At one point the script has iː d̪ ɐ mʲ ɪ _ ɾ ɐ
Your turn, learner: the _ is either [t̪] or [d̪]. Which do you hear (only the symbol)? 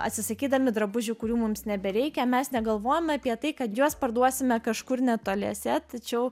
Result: d̪